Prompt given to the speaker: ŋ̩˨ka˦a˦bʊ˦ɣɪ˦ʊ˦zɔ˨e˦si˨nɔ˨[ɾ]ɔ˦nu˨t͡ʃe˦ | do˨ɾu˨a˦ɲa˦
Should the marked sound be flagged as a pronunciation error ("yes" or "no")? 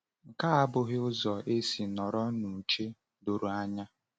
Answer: no